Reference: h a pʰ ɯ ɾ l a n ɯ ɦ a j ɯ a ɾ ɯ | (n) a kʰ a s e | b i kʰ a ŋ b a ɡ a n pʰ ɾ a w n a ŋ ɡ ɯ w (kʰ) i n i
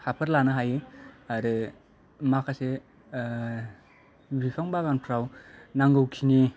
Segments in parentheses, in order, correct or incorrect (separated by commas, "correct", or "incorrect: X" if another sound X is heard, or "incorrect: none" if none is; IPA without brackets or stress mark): incorrect: m, correct